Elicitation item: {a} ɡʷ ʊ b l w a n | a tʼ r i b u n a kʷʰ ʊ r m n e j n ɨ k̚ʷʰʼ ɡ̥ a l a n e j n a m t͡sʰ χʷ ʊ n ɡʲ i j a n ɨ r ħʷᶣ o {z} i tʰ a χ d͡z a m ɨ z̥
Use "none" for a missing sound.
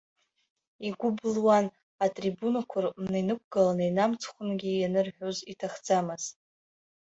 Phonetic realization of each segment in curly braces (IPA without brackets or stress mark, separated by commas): i, z